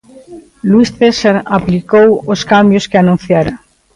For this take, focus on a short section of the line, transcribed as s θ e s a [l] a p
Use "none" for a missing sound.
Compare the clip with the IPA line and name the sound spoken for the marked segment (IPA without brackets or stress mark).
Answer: ɾ